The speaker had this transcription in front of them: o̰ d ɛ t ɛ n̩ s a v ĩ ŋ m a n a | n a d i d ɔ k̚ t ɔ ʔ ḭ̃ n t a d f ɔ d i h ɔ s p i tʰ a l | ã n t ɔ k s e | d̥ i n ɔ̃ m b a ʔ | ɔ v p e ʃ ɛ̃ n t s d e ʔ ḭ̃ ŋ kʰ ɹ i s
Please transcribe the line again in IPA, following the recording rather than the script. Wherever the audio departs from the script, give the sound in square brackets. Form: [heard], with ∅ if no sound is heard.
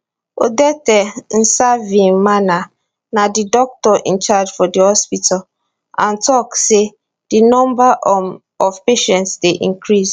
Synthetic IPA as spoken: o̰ d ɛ t ɛ n̩ s a v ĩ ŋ m a n a | n a d i d ɔ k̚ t ɔ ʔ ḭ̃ n [t͡ʃ] a [d͡ʒ] f ɔ d i h ɔ s p i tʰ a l | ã n t ɔ k s e | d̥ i n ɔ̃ m b a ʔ | ɔ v p e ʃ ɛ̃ n t s d e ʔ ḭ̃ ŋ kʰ ɹ i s